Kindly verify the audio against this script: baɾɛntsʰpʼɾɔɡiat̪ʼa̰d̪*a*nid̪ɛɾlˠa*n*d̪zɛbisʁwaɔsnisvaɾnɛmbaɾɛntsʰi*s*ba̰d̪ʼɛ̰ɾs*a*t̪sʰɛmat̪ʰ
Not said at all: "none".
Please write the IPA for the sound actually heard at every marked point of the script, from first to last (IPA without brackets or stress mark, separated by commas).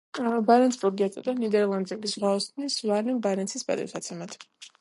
a, n, s, a